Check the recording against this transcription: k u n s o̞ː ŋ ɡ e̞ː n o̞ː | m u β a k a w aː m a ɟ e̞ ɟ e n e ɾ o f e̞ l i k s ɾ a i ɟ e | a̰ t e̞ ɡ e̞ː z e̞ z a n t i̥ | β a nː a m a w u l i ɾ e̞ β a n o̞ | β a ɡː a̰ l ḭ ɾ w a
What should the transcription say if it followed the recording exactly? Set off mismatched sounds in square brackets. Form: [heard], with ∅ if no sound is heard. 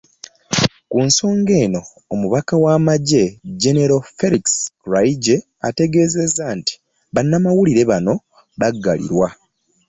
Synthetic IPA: k u n s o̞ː ŋ ɡ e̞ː n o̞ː | m u β a k a w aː m a ɟ e̞ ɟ e n e ɾ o f e̞ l i k s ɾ a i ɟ e | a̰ t e̞ ɡ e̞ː z e̞ z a n t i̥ | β a nː a m a w u l i ɾ e̞ β a n o̞ | β a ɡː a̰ l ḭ ɾ w a